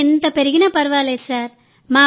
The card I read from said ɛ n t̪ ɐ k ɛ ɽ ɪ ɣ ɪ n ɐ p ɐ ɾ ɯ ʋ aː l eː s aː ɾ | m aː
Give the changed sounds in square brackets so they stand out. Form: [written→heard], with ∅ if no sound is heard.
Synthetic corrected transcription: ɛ n [t̪→d̪] ɐ [k→p] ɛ [ɽ→ɾ] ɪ ɣ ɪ n ɐ p ɐ ɾ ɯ ʋ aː l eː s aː ɾ | m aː

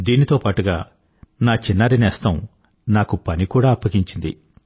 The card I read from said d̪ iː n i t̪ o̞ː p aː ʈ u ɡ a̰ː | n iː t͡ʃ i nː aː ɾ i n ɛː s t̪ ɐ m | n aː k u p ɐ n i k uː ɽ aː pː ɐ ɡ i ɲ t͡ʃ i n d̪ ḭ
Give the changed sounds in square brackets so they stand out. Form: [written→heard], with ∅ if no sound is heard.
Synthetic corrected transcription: d̪ iː n i t̪ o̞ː p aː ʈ u ɡ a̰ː | n [iː→aː] t͡ʃ i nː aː ɾ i n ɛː s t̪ ɐ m | n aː k u p ɐ n i k uː ɽ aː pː ɐ ɡ i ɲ t͡ʃ i n d̪ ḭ

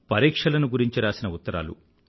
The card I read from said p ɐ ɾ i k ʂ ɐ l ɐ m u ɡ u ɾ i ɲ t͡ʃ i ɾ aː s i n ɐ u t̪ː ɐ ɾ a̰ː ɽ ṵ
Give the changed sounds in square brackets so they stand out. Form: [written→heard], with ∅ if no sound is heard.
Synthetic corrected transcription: p ɐ ɾ [i→iː] k ʂ ɐ l ɐ [m→n] u ɡ u ɾ i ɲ t͡ʃ i ɾ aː s i n ɐ u t̪ː ɐ ɾ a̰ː [ɽ→l] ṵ

